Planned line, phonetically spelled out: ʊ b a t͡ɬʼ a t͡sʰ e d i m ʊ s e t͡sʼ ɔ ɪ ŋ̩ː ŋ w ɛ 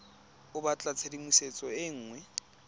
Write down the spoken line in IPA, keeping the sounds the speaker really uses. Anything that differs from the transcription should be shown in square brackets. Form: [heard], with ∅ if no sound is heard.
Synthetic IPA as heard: ʊ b a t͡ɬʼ a t͡sʰ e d i m [u] s e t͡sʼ ɔ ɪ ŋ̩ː ŋ w ɛ